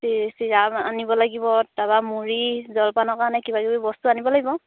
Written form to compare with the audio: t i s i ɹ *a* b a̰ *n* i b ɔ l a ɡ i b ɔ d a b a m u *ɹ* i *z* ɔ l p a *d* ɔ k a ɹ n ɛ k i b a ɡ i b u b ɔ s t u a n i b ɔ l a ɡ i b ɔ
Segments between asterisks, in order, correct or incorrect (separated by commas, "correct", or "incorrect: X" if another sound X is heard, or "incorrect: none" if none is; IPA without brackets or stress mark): correct, correct, correct, correct, incorrect: n